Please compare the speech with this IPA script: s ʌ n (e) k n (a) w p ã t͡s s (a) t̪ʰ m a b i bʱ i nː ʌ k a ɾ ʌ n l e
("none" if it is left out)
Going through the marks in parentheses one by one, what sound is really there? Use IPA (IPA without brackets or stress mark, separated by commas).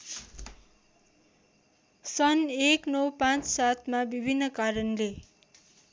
e, ʌ, a